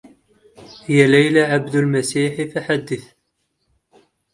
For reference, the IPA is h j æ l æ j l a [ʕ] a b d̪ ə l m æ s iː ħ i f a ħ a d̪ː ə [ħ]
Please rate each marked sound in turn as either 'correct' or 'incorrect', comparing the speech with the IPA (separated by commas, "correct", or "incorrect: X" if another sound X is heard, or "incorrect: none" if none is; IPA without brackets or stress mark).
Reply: correct, incorrect: θ